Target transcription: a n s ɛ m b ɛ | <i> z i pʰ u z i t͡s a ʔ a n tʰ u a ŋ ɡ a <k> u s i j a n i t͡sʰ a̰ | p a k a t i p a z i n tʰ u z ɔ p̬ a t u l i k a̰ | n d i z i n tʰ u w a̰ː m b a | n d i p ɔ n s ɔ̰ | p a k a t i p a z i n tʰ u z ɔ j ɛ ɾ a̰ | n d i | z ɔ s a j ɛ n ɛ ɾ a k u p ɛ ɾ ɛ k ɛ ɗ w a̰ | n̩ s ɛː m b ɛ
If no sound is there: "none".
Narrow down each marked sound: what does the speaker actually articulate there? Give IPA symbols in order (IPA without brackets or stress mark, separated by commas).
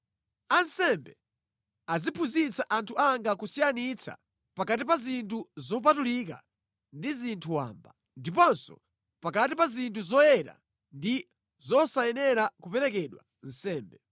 a, k